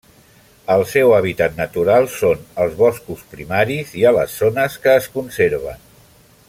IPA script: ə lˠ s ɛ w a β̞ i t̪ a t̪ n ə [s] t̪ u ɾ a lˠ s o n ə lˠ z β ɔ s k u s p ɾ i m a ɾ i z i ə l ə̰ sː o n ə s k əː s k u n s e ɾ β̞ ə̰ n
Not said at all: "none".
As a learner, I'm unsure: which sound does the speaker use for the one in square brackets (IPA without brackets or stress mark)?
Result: none